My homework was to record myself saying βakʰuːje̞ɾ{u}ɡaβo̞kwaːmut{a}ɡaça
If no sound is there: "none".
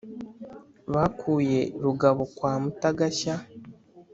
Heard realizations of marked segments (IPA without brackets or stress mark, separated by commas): u, a